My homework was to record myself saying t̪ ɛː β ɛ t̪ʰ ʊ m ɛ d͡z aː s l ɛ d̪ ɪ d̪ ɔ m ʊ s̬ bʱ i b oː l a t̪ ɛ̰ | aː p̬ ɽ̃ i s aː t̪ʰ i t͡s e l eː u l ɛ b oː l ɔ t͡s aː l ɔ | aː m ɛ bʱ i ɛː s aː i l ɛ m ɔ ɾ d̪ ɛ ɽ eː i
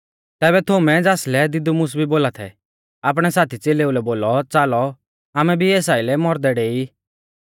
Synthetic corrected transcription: t̪ ɛː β ɛ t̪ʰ ʊ m ɛ d͡z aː s l ɛ d̪ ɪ d̪ u m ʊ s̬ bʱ i b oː l a t̪ʰ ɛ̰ | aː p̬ ɽ̃ ɛ s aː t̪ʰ i t͡s e l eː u l ɛ b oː l ɔ t͡s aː l ɔ | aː m ɛ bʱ i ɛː s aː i l ɛ m ɔ ɾ d̪ ɛ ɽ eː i